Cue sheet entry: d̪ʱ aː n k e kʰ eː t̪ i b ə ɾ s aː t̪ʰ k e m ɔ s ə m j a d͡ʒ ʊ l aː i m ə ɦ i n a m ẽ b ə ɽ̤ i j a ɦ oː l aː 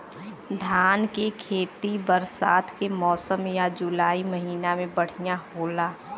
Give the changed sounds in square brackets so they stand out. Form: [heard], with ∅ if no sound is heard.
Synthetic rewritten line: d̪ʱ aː n k e kʰ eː t̪ i b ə ɾ s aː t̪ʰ k e m [ɔː] s ə m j a d͡ʒ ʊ l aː i m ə ɦ [iː] n a m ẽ b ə ɽ̤ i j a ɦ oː l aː